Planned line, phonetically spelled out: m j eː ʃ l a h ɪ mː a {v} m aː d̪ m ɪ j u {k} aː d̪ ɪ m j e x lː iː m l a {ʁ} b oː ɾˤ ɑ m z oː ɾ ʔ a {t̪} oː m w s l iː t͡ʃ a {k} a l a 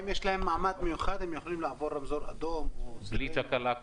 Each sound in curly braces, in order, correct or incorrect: incorrect: ʕ, incorrect: x, incorrect: ʕ, incorrect: d̪, correct

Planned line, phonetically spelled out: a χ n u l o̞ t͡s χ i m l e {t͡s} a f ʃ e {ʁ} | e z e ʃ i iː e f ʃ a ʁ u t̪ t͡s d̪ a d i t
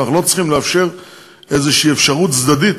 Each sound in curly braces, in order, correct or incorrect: incorrect: none, correct

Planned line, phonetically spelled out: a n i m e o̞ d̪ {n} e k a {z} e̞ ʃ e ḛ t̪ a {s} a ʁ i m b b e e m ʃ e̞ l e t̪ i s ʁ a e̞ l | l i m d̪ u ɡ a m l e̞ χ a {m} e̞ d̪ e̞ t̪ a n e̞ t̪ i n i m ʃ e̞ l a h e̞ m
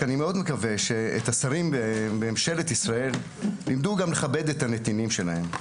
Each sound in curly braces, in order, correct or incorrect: incorrect: m, incorrect: v, correct, incorrect: b

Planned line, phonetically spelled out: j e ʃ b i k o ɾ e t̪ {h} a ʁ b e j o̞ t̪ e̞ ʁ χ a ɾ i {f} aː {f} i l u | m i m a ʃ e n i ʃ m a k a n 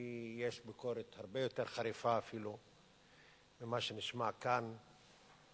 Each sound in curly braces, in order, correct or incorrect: correct, correct, correct

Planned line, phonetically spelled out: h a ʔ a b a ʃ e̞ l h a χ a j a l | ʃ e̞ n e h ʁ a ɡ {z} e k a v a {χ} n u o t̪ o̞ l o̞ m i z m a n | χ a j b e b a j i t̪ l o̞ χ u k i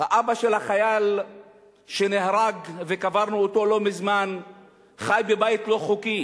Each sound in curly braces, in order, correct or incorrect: incorrect: v, incorrect: ʁ

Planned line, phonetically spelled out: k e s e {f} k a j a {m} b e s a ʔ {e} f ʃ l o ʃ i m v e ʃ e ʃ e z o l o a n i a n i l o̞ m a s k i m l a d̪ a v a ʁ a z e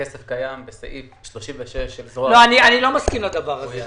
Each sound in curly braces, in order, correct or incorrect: correct, correct, incorrect: i

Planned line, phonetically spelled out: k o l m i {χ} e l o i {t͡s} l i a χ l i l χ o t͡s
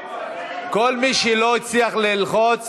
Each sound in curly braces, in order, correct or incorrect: incorrect: ʃ, correct

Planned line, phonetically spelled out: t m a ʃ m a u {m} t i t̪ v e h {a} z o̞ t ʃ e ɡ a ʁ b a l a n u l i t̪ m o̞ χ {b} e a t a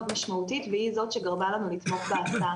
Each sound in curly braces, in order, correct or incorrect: incorrect: none, incorrect: i, correct

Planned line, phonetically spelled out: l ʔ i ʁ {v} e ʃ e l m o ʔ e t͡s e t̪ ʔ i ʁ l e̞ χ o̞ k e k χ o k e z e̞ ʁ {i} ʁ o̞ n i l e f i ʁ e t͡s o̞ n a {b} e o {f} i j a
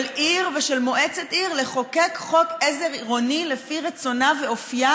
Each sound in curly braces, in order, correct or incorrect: correct, correct, incorrect: v, correct

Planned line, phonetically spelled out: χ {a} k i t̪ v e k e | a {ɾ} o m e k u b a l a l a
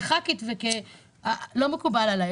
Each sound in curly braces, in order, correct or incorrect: correct, incorrect: l

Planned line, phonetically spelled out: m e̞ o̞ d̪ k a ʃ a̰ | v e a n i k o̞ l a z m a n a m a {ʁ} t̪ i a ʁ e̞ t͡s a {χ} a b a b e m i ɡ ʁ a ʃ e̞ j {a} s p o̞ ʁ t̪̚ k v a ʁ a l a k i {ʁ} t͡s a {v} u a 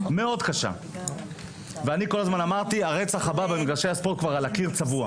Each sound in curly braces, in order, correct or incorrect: correct, correct, correct, correct, correct

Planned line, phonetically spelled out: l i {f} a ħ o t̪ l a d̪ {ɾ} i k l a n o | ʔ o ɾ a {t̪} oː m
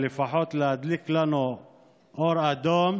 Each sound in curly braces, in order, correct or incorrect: correct, incorrect: l, incorrect: d̪

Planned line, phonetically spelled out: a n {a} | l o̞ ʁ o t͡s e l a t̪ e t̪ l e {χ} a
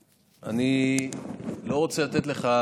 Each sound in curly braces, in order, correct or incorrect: incorrect: i, correct

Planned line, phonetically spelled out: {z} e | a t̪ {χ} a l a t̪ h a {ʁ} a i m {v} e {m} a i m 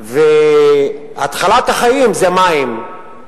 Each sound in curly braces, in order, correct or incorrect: incorrect: v, correct, incorrect: χ, incorrect: z, correct

